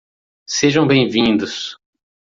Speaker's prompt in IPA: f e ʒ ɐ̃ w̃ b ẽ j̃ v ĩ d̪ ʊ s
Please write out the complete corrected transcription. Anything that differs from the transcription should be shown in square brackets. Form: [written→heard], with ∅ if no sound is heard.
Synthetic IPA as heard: [f→s] e ʒ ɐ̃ w̃ b ẽ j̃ v ĩ d̪ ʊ s